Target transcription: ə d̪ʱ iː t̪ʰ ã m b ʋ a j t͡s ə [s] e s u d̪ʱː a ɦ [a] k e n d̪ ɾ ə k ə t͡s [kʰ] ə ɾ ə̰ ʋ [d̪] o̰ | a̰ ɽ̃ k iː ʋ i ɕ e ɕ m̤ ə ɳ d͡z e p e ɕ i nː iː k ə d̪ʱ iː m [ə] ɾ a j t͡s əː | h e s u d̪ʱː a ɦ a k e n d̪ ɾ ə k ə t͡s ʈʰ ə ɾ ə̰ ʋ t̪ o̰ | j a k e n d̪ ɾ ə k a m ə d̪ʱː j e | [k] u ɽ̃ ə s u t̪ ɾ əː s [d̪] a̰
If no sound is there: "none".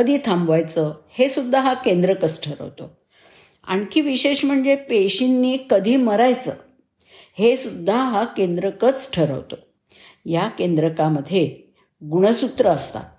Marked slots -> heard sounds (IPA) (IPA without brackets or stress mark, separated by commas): h, a, ʈʰ, t̪, ə, ɡ, t̪